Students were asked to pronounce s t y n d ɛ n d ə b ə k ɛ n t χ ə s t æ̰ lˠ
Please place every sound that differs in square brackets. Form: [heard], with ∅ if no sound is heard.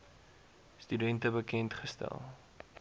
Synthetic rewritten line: s t y [∅] d ɛ n [t] ə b ə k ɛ n t χ ə s t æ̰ lˠ